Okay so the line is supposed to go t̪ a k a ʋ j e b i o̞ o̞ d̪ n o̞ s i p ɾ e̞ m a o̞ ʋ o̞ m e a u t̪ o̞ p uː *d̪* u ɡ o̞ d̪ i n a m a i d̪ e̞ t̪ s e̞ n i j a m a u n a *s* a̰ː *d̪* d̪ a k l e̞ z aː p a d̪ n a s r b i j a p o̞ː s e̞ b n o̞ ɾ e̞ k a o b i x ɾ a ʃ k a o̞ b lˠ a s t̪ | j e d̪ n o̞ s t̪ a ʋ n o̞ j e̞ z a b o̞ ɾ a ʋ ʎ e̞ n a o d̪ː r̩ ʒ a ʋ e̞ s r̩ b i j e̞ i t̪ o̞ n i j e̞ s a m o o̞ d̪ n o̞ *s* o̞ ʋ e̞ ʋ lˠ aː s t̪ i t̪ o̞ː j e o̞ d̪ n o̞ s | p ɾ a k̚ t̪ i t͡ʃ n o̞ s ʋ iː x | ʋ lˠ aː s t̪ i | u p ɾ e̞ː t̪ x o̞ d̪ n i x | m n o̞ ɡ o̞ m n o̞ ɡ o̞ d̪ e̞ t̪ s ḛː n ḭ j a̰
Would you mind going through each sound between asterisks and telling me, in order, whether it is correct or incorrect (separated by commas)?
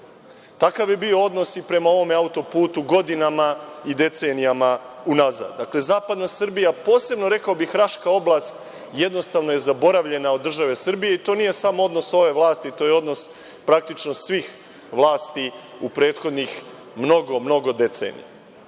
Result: incorrect, incorrect, correct, correct